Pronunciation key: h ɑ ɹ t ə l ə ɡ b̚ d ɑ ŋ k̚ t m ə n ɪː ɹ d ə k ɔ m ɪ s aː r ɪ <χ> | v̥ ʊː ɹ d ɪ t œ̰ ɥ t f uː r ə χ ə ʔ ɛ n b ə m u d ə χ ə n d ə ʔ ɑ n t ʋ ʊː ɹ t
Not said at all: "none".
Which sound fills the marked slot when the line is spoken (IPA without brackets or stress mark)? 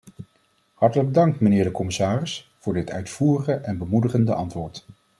s